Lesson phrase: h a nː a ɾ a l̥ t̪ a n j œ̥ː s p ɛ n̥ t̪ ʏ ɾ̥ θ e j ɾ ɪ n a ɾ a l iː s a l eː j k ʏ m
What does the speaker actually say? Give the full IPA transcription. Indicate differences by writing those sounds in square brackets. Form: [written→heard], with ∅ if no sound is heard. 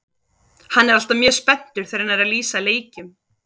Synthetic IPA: h a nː [a→ɛ] ɾ a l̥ t̪ a [n→m] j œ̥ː s p ɛ n̥ t̪ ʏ ɾ̥ θ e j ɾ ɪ n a ɾ a l iː s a l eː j [k→c] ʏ m